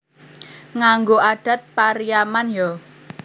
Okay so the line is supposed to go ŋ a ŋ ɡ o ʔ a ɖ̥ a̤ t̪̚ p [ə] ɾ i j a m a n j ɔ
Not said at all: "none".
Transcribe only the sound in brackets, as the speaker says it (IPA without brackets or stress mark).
a